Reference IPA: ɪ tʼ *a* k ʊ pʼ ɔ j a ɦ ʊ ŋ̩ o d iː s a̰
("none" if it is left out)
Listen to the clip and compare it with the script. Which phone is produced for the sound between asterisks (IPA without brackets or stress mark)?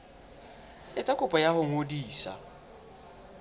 a